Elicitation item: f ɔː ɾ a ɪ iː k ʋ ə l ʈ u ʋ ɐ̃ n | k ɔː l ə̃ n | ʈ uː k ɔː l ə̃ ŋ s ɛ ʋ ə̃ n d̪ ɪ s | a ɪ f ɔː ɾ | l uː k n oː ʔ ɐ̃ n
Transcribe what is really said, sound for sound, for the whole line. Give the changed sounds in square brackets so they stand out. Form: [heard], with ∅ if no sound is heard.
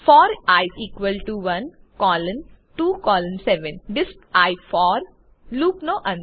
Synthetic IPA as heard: f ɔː ɾ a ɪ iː k ʋ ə l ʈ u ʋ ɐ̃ n | k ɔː l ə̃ n | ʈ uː k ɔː l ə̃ [n] s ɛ ʋ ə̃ n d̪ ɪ s | a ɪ f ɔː ɾ | l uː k n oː ʔ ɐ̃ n